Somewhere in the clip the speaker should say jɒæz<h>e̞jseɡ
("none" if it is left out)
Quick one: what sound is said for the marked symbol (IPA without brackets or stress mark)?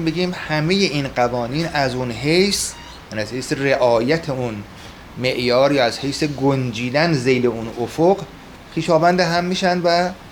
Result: h